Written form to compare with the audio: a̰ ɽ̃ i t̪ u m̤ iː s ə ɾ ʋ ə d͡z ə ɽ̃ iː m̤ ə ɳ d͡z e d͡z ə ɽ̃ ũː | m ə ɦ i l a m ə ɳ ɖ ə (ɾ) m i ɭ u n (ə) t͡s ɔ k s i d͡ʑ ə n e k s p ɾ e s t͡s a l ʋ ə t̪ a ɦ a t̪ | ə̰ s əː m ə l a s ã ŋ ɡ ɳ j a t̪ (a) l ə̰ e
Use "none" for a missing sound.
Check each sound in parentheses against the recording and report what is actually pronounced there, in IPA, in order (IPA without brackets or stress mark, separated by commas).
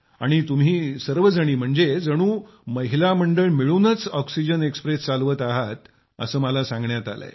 ɭ, ə, a